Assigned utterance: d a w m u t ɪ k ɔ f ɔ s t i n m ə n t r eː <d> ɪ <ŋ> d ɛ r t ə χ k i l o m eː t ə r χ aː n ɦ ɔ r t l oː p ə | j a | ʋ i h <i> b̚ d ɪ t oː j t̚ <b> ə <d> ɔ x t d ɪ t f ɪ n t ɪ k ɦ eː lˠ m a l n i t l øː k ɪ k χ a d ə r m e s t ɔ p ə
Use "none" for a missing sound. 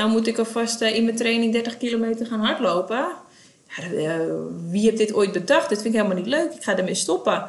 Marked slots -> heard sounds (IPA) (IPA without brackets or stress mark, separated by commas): n, ŋ, ɛ, b, d